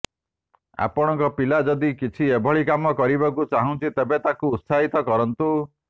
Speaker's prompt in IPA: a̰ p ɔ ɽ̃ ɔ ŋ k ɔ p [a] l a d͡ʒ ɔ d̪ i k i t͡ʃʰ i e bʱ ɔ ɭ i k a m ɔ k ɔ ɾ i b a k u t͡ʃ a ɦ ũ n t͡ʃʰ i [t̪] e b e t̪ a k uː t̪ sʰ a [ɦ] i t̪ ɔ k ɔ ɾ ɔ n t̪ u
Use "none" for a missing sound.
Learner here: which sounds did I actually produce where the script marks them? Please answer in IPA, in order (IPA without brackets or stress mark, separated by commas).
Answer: i, t̪, ɦ